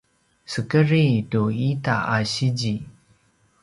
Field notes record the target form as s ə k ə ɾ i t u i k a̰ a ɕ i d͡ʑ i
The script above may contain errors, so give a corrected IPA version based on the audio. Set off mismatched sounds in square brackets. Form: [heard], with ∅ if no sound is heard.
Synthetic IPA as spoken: s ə k ə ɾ i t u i [t] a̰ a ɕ i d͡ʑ i